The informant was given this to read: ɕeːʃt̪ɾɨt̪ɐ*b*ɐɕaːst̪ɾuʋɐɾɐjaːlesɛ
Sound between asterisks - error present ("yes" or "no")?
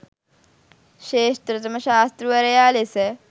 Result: yes